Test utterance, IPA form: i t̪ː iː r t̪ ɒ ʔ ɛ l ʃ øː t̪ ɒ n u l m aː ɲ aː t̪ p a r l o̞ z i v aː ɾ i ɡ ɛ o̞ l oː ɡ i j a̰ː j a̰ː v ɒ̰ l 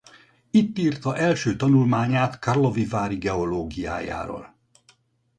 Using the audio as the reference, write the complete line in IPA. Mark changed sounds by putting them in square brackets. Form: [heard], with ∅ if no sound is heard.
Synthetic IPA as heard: i t̪ː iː r t̪ ɒ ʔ ɛ l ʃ øː t̪ ɒ n u l m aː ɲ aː t̪ [k] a r l o̞ [v] i v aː ɾ i ɡ ɛ o̞ l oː ɡ i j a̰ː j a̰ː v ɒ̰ l